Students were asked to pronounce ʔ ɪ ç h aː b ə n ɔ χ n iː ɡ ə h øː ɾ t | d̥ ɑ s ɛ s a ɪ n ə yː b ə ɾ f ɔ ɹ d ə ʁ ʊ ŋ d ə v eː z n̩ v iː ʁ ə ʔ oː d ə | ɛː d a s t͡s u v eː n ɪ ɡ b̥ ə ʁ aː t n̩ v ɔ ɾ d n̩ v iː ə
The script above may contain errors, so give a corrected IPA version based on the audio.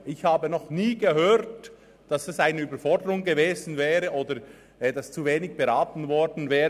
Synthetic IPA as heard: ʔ ɪ ç h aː b ə n ɔ χ n iː ɡ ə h øː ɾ t | d̥ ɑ s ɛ s a ɪ n ə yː b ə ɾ f ɔ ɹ d ə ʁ ʊ ŋ ɡ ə v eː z n̩ v ɛː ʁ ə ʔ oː d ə | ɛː d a s t͡s u v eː n ɪ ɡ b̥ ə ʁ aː t n̩ v ɔ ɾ d n̩ v ɛː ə